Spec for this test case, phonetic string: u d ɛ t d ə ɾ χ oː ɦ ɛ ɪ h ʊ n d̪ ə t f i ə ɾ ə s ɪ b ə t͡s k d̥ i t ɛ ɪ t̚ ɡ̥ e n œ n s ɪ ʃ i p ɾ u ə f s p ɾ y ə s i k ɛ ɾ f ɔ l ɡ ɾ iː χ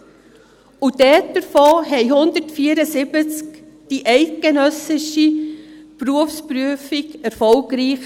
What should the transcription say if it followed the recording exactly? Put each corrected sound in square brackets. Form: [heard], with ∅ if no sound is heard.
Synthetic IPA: u d ɛ t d ə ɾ [f] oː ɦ ɛ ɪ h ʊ n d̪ ə t f i ə ɾ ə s ɪ b ə t͡s k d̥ i [ʔ] ɛ ɪ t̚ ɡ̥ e n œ [∅] s ɪ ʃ i p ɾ u ə f s p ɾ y ə [f] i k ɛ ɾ f ɔ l ɡ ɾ iː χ